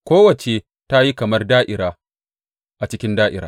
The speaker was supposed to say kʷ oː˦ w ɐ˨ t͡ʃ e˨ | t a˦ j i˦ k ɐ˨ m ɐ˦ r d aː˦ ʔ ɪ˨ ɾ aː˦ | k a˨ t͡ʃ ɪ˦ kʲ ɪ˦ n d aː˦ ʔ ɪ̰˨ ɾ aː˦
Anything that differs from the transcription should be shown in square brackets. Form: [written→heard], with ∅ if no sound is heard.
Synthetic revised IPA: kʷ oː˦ w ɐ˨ t͡ʃ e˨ | t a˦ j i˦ k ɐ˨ m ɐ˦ r d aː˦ ʔ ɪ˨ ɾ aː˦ | [k→ʔ] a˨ t͡ʃ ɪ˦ kʲ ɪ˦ n d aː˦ ʔ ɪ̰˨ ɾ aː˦